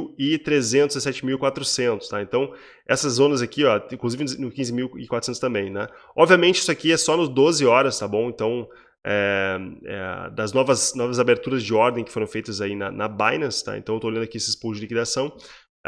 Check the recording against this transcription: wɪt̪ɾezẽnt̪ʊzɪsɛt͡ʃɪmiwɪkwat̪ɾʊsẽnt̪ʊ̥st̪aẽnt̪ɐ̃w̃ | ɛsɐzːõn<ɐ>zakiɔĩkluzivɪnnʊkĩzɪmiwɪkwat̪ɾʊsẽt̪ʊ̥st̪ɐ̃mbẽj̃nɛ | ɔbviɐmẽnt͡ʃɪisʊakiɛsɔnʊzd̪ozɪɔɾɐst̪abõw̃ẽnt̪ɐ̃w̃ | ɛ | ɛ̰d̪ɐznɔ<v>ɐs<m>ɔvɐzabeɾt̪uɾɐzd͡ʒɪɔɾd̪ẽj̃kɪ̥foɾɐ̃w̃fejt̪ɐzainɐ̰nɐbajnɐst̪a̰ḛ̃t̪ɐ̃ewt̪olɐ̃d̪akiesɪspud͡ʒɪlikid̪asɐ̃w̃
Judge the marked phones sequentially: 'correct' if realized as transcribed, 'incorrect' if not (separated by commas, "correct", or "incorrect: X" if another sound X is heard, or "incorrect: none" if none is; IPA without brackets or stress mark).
correct, correct, incorrect: n